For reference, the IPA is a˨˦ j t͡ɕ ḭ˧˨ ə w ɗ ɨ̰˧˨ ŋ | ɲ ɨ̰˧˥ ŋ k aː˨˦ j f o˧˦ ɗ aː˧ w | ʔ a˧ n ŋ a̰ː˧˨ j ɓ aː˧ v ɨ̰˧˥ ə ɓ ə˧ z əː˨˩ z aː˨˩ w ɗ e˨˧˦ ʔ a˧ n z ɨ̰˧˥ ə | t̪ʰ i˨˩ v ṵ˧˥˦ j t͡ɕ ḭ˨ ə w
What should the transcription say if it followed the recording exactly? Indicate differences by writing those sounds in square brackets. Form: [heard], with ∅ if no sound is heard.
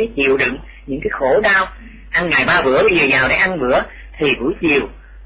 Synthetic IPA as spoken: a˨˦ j t͡ɕ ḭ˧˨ ə w ɗ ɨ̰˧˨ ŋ | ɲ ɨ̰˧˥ ŋ k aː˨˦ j [x] o˧˦ ɗ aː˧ w | ʔ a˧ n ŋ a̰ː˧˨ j ɓ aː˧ v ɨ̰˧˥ ə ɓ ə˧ z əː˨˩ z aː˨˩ w ɗ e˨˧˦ ʔ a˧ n [v] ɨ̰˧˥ ə | t̪ʰ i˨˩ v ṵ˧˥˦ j t͡ɕ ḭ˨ ə w